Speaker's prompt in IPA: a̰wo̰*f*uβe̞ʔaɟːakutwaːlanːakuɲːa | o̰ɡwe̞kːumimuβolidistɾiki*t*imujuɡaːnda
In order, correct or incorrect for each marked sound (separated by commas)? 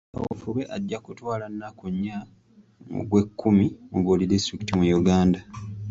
correct, correct